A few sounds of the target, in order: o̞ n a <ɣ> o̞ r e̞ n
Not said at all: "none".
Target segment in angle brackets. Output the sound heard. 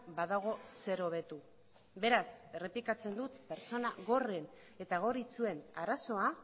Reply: ɣ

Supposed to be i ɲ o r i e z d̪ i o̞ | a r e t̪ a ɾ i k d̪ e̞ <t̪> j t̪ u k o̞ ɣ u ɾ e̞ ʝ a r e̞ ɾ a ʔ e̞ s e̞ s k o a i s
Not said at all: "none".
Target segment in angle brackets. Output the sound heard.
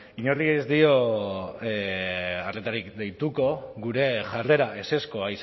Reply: none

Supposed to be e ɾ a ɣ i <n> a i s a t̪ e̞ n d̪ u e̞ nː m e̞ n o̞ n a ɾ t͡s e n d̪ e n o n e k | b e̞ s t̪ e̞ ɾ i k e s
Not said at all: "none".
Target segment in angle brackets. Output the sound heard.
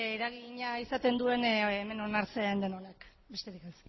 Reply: ɲ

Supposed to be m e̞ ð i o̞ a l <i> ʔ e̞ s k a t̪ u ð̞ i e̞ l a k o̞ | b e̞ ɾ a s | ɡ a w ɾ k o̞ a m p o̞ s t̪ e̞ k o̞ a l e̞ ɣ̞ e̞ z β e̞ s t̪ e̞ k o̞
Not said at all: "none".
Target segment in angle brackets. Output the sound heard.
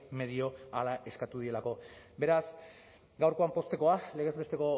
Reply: a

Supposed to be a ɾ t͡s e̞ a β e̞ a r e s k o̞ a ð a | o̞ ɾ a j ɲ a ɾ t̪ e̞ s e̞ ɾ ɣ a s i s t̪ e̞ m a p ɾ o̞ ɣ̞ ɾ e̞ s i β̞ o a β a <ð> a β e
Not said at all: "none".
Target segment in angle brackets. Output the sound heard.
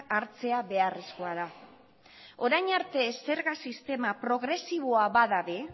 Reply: ð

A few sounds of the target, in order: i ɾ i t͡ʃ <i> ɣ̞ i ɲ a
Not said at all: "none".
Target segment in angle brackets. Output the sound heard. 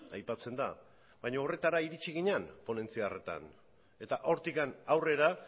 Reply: i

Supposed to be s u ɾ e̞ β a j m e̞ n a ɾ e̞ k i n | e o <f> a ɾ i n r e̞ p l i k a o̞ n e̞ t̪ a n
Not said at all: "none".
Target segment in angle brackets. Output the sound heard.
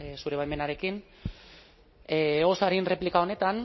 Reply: s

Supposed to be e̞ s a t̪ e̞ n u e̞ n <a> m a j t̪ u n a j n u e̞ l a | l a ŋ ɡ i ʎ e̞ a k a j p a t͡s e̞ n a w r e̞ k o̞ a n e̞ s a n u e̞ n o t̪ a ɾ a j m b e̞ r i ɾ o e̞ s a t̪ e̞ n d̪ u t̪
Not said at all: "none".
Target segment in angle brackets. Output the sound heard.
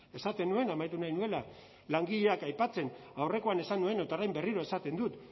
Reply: a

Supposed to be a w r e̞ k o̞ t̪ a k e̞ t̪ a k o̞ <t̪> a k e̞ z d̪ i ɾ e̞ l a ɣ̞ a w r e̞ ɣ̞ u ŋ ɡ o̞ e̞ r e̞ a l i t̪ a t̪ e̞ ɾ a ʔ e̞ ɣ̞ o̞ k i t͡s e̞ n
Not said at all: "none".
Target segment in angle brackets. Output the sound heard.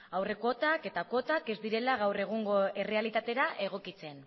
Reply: t̪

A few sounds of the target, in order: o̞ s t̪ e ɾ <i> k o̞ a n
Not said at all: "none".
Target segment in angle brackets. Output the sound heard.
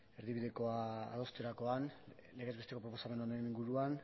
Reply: a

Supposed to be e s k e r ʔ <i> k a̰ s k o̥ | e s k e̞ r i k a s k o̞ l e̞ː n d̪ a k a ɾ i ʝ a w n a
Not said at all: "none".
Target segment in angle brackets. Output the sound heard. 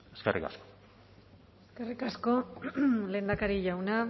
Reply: i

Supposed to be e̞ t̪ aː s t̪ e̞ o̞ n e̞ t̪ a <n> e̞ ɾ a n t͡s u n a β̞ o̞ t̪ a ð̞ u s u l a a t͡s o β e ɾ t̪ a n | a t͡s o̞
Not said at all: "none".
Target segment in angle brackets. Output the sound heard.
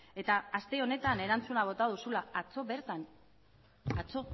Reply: n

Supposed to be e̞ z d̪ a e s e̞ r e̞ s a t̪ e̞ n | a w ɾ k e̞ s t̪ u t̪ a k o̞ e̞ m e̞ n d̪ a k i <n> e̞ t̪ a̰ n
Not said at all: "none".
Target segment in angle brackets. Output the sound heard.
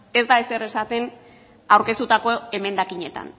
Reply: ɲ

